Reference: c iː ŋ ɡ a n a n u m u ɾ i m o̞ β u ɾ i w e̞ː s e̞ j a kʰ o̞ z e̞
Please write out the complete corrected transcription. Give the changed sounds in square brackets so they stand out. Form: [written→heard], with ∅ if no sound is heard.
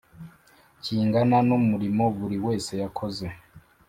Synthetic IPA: c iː ŋ ɡ a n a n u m u ɾ i m o̞ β u ɾ i w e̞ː s e̞ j a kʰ o̞ z e̞